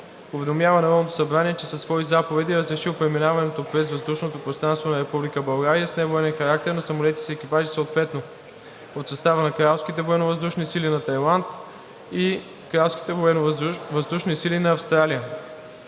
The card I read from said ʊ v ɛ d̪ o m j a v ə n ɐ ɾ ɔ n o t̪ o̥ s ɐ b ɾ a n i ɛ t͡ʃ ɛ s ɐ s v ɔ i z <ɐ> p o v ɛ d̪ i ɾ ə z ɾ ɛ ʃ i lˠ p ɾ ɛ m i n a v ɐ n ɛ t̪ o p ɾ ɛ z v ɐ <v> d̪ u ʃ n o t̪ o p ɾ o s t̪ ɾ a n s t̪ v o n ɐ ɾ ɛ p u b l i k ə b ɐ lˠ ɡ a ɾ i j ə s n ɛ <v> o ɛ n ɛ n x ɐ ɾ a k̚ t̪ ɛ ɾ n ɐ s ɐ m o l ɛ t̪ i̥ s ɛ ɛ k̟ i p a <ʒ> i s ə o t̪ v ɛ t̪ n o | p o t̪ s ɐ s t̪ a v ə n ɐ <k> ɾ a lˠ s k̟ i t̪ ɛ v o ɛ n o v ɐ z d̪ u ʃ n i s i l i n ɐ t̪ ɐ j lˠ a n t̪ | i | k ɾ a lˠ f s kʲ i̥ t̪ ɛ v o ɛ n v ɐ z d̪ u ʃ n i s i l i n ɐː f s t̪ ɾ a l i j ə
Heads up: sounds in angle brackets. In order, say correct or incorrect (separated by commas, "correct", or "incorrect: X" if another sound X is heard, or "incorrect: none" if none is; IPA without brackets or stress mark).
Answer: incorrect: a, incorrect: z, correct, correct, correct